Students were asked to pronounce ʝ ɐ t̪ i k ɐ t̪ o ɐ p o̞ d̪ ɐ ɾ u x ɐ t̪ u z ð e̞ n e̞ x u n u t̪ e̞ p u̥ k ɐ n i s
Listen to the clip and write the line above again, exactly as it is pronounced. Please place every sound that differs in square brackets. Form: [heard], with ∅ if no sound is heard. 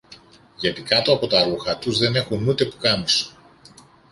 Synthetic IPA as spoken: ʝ ɐ t̪ i k ɐ t̪ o ɐ p o̞ [t̪] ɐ ɾ u x ɐ t̪ u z ð e̞ n e̞ x u n u t̪ e̞ p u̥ k ɐ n i s